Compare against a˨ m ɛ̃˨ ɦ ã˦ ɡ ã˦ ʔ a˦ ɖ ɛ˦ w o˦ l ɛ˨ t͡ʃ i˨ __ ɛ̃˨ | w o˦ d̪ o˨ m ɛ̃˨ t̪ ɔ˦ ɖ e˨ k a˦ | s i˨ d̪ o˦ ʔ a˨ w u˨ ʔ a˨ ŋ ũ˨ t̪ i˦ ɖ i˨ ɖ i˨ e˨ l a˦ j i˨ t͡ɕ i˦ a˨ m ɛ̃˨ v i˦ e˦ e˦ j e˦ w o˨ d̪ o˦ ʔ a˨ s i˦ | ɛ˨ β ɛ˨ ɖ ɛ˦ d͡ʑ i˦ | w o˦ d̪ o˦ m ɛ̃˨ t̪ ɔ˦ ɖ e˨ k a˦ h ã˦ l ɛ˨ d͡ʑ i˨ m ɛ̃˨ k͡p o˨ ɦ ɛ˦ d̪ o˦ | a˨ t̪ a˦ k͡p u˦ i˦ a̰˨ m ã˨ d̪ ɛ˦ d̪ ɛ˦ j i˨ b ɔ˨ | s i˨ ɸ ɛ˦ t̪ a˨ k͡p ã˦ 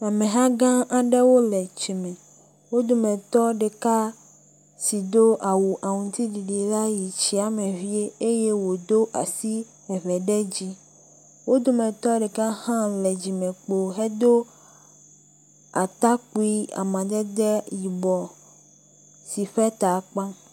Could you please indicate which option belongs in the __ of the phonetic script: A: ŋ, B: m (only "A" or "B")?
B